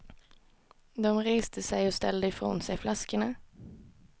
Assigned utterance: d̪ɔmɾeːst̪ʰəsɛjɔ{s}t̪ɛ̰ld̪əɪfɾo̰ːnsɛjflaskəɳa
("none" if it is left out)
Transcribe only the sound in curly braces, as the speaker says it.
s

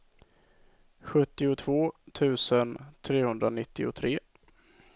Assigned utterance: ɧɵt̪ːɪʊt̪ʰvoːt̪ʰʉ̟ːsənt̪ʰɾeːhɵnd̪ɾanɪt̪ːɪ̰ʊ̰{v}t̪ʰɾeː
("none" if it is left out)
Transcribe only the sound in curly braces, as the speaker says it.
none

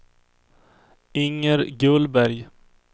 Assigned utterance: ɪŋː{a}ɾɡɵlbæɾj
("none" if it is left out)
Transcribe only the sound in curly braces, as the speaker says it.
ə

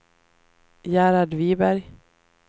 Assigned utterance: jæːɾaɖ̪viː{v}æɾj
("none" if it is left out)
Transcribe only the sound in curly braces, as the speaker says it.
b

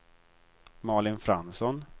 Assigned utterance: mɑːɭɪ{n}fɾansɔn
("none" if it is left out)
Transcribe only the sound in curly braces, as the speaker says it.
n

